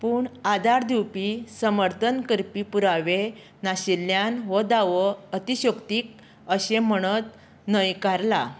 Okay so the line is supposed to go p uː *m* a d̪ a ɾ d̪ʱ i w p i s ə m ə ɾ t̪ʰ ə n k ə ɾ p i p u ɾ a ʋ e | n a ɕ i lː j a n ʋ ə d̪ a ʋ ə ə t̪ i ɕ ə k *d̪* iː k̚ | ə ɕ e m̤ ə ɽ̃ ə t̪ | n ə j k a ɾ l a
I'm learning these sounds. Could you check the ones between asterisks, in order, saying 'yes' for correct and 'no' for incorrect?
no, no

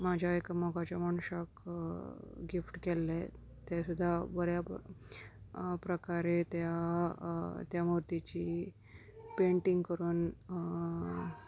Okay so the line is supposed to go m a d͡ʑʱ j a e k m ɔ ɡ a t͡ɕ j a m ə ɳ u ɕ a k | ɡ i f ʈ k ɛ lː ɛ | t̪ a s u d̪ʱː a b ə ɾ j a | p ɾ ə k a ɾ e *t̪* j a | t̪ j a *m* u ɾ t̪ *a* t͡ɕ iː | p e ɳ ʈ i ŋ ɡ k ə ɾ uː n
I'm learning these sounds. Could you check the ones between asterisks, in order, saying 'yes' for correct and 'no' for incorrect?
yes, yes, no

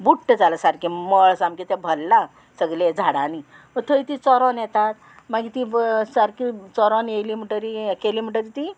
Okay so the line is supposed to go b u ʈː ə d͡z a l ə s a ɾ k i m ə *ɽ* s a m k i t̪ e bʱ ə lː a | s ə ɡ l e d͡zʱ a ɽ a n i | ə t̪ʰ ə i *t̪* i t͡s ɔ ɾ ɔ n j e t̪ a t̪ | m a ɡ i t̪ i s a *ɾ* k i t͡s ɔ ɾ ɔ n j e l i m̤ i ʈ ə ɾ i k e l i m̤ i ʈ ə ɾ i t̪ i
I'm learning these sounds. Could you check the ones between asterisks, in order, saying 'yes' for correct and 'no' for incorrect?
no, yes, yes

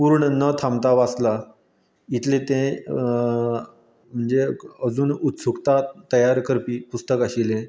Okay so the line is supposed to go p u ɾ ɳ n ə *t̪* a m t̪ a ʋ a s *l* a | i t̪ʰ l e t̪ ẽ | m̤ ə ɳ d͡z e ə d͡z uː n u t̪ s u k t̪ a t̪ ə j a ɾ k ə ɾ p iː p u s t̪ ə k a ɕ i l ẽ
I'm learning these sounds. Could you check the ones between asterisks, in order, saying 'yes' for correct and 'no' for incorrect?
no, yes

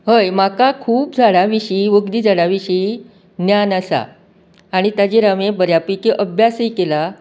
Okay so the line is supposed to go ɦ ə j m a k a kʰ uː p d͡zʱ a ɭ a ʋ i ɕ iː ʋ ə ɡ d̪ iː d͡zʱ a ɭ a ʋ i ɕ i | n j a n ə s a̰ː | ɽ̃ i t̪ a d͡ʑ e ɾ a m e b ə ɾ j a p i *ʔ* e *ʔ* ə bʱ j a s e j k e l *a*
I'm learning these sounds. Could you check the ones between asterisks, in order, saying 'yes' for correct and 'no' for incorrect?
no, yes, yes

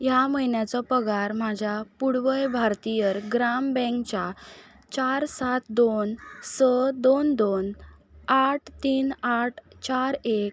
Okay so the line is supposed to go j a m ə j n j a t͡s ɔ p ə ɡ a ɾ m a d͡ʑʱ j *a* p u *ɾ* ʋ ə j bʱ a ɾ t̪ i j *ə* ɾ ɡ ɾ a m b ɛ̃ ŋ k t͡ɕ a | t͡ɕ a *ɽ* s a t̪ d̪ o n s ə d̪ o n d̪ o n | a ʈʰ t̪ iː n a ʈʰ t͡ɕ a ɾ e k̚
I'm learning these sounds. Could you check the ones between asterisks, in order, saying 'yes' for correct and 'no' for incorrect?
yes, no, yes, no

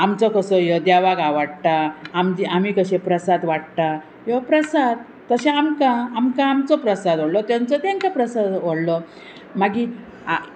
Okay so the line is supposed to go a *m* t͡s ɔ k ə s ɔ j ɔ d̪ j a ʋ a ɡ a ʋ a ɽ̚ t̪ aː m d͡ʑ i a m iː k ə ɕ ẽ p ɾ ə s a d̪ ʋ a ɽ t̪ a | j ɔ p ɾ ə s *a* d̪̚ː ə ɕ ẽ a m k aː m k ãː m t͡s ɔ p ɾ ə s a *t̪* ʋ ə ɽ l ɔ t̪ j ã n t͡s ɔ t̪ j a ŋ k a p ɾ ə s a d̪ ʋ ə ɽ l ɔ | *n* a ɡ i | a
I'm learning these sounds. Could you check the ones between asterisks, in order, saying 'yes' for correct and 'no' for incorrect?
yes, yes, no, no

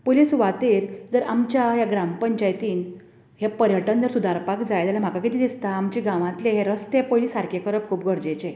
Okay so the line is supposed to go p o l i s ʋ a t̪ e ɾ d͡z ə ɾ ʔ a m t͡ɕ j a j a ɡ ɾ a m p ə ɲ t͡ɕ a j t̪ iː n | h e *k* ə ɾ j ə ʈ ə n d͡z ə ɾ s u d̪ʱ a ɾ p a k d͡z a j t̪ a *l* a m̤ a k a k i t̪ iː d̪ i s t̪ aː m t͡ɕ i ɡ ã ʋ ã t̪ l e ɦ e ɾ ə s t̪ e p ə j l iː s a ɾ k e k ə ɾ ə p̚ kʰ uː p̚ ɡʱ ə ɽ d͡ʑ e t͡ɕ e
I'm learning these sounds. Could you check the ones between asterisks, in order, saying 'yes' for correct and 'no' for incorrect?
no, yes

